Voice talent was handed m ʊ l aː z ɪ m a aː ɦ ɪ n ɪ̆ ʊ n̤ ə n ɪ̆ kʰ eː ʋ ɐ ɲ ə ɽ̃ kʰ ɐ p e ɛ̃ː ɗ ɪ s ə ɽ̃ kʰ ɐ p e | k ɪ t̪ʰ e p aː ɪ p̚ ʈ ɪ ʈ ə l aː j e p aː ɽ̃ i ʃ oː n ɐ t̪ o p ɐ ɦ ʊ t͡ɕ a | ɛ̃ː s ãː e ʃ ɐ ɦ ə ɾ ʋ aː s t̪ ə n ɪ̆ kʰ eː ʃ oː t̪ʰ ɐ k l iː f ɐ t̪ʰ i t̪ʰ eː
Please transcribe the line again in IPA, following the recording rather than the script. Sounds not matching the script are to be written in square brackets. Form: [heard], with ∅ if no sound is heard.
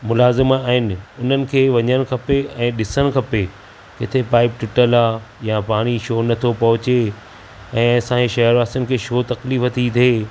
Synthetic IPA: m ʊ l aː z ɪ m a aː ɦ ɪ n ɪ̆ ʊ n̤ ə n ɪ̆ kʰ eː ʋ ɐ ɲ ə ɽ̃ kʰ ɐ p e ɛ̃ː ɗ ɪ s ə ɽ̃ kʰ ɐ p e | k ɪ t̪ʰ e p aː ɪ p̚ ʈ ɪ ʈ ə l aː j [a] p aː ɽ̃ i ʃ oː n ɐ [t̪ʰ] o p ɐ ɦ ʊ t͡ɕ [e] | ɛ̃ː s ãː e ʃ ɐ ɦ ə ɾ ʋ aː s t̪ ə n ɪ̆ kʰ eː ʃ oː [t̪] ɐ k l iː f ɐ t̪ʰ i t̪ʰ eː